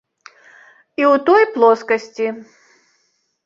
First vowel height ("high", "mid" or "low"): high